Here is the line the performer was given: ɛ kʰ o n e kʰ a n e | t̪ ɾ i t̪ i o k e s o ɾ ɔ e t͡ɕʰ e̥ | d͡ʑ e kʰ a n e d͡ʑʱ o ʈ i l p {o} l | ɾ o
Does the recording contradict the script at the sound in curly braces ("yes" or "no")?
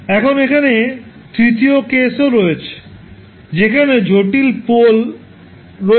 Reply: no